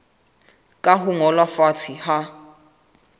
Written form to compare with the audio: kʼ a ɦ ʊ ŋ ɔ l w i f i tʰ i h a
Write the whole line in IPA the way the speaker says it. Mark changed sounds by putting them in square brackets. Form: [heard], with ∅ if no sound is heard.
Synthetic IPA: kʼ a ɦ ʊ ŋ ɔ l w [a] f [a] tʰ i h a